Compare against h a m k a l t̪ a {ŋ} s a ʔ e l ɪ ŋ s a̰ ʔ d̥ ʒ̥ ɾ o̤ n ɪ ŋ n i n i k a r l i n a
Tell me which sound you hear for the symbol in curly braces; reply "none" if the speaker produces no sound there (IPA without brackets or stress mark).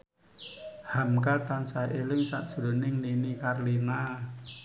n